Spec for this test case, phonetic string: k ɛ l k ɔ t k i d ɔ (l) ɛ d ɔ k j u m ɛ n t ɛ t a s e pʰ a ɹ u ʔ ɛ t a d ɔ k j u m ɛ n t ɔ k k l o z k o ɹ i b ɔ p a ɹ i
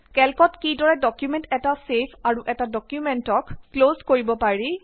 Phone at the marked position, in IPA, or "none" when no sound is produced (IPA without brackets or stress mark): ɹ